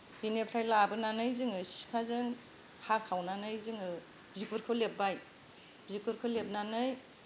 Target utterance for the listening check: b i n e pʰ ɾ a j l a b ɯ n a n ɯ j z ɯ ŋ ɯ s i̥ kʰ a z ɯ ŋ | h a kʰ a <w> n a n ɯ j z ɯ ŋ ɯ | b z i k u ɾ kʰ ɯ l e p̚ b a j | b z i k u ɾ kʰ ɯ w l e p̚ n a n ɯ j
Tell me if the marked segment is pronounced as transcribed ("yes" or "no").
yes